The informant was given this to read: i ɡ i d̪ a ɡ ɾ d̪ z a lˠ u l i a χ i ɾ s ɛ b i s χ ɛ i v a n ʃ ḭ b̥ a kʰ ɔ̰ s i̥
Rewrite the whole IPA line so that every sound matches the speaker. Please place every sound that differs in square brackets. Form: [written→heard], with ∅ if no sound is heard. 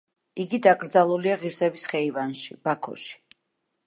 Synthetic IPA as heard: i ɡ i d̪ a ɡ ɾ d̪ z a lˠ u l i a [χ→ʁ] i ɾ s ɛ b i s χ ɛ i v a n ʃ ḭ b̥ a kʰ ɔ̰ [s→ʃ] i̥